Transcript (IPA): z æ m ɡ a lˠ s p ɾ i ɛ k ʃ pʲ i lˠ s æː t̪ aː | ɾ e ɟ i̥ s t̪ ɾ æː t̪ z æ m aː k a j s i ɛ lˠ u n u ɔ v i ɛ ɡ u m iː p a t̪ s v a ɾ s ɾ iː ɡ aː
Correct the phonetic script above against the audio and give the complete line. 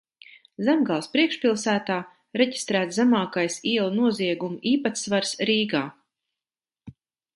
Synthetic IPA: z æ m ɡ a lˠ s p ɾ i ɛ k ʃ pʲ i lˠ s æː t̪ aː | ɾ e ɟ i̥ s t̪ ɾ æː t̪ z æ m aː k a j s i ɛ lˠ u n u ɔ z i ɛ ɡ u m iː p a t̪ s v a ɾ s ɾ iː ɡ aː